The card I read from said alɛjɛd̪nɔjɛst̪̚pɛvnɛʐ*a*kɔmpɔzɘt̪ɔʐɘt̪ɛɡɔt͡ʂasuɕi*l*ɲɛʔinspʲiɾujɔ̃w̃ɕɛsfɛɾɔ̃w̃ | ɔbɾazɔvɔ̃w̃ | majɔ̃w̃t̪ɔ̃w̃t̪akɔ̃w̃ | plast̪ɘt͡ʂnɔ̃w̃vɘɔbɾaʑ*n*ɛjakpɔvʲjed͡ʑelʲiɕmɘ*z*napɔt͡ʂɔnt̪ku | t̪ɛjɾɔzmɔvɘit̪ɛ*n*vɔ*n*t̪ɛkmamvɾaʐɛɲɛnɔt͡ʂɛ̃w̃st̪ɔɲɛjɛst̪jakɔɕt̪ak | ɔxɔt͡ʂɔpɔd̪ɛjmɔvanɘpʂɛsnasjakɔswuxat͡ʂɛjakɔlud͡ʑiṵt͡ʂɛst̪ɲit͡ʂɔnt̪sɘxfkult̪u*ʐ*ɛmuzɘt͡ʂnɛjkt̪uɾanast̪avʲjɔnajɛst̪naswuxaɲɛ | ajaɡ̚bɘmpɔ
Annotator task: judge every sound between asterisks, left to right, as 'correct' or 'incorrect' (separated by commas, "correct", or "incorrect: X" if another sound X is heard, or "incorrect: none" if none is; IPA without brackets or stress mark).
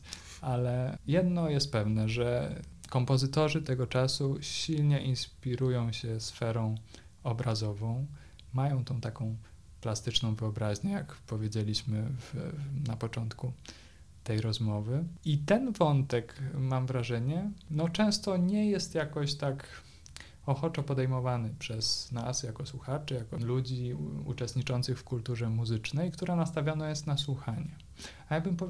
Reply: incorrect: ɛ, correct, incorrect: ɲ, incorrect: v, correct, correct, correct